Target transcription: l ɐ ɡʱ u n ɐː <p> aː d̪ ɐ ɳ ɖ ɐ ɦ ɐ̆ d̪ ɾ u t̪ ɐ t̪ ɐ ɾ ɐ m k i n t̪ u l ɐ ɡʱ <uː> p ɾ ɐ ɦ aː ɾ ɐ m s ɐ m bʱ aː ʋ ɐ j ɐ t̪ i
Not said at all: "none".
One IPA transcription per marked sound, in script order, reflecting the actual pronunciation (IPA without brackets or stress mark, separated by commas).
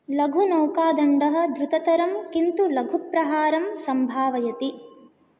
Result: k, u